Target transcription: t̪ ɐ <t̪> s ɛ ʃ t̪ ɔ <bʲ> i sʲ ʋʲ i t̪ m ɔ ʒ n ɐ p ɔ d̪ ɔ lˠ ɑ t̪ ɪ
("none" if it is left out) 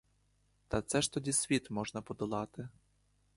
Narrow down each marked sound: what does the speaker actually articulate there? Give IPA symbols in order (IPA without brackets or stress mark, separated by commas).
t̪, dʲ